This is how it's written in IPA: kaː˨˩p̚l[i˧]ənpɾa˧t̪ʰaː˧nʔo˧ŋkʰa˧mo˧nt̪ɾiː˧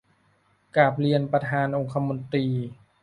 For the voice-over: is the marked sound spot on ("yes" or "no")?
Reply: yes